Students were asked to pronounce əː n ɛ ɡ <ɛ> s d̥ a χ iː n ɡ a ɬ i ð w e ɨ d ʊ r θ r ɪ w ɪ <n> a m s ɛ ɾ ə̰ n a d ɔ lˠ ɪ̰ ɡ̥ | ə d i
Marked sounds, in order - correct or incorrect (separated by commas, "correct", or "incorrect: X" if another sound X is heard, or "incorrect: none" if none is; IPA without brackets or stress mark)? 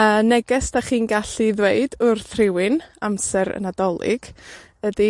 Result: correct, correct